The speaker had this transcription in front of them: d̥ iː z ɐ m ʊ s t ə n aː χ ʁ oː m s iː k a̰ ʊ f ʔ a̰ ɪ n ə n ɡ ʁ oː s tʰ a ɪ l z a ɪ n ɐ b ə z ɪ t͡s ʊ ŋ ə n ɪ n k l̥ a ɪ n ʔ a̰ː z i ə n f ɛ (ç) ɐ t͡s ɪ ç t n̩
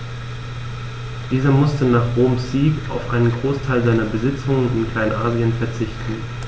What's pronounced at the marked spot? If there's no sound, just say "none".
none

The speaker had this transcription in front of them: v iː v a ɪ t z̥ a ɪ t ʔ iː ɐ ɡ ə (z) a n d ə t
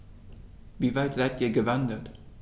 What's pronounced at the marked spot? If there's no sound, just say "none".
v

